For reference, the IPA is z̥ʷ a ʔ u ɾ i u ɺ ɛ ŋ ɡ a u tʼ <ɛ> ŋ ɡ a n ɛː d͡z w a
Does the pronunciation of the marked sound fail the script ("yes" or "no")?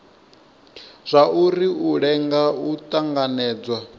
yes